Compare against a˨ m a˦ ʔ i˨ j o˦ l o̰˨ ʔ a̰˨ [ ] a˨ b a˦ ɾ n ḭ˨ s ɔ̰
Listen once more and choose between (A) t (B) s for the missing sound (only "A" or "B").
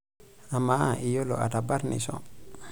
A